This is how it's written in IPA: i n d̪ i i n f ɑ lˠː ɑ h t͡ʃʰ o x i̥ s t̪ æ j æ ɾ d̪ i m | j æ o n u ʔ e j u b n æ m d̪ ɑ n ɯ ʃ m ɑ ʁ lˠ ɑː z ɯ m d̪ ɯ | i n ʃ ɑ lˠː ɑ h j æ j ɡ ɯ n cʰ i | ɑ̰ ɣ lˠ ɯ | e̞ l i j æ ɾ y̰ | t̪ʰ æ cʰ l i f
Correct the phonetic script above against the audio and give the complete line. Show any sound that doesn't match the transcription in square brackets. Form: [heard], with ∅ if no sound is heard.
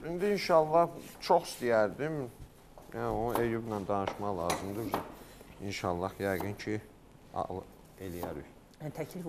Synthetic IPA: i n d̪ i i n [ʃ] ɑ lˠː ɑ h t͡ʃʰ o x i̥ s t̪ [i] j æ ɾ d̪ i m | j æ o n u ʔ e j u b n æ [n] d̪ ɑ n ɯ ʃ m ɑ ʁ lˠ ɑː z ɯ m d̪ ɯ | i n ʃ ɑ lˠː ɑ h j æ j ɡ ɯ n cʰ i | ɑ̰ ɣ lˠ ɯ | e̞ l i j æ ɾ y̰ | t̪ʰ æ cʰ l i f